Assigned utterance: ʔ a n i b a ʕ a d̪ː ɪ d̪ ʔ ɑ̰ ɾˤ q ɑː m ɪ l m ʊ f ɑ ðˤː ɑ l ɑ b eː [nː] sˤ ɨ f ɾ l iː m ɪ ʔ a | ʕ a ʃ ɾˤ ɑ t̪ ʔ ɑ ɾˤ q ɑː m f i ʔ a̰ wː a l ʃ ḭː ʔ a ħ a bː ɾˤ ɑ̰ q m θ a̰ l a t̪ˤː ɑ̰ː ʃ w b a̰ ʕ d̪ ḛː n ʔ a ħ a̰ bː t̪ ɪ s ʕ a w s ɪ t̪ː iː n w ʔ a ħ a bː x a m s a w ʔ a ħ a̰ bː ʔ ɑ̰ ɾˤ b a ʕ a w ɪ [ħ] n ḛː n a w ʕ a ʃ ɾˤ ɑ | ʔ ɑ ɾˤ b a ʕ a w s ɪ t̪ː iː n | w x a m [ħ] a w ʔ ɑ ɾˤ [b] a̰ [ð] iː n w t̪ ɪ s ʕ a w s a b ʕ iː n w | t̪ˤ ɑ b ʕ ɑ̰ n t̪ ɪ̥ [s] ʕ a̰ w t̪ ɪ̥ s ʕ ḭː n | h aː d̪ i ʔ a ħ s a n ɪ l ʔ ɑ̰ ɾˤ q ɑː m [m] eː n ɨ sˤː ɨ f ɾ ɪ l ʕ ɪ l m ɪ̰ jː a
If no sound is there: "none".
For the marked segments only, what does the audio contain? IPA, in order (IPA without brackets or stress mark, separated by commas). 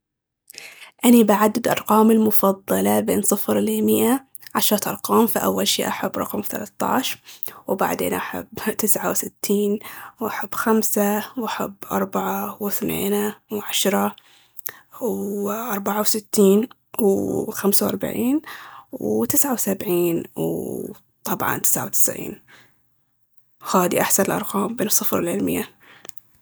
n, θ, s, b, ʕ, s, b